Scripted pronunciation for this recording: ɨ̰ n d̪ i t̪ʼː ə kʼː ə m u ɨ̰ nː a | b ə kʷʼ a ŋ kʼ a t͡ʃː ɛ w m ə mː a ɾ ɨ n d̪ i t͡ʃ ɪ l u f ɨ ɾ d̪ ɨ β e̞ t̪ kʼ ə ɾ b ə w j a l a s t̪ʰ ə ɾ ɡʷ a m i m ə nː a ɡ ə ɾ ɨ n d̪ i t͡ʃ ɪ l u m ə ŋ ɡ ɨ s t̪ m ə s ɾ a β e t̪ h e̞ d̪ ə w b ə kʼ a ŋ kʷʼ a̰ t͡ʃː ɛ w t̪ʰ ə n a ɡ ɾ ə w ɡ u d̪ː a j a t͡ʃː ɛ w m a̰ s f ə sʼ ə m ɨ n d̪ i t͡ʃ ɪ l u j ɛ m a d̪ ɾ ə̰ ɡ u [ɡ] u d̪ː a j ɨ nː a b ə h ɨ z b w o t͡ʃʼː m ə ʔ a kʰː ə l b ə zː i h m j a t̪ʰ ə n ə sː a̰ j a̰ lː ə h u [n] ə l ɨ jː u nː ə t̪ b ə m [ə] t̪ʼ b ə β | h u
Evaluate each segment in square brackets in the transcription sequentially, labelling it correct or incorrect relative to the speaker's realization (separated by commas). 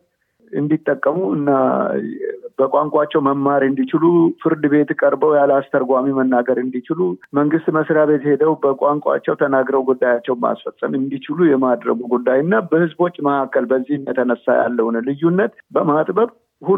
correct, correct, incorrect